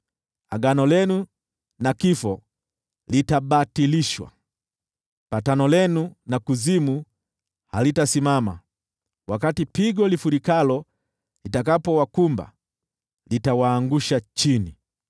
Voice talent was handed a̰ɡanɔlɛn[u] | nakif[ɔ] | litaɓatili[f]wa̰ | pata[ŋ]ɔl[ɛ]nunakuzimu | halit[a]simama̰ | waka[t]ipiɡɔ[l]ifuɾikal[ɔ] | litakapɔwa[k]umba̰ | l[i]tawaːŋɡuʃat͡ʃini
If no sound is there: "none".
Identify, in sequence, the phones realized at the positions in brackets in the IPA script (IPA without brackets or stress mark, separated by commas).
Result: u, ɔ, ʃ, n, ɛ, a, t, l, ɔ, k, i